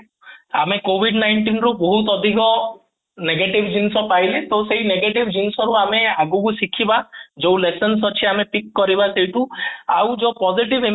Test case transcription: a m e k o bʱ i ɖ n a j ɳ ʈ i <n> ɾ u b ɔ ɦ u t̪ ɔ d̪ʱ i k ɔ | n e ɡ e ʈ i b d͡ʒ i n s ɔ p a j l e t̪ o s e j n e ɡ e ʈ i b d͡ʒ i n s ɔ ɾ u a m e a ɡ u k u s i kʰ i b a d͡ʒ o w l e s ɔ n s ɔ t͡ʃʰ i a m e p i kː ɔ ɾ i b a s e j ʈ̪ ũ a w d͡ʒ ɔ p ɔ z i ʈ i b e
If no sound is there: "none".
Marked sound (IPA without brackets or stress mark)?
n